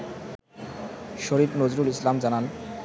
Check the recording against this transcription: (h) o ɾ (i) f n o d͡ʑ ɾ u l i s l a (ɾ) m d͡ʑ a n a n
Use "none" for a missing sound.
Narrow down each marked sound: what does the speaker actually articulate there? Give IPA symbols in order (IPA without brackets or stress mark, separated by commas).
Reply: ʃ, i, none